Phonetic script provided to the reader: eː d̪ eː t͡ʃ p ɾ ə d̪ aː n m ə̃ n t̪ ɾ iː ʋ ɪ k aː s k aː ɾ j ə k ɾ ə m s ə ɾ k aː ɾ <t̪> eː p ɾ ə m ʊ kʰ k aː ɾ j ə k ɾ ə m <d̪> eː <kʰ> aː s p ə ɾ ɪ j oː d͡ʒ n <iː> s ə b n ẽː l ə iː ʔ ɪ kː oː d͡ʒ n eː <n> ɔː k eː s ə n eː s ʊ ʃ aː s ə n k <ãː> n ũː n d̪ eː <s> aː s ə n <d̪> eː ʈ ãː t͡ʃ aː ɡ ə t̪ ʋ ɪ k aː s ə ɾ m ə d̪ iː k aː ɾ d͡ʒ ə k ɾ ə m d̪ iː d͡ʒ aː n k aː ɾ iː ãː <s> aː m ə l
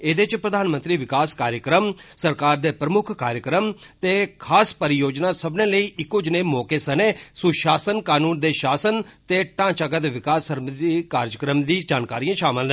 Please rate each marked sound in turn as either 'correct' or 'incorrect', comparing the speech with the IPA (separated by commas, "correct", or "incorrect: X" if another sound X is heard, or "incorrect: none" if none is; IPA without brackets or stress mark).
incorrect: d̪, incorrect: t̪, correct, incorrect: aː, incorrect: m, incorrect: aː, incorrect: ʃ, incorrect: t̪, incorrect: ʃ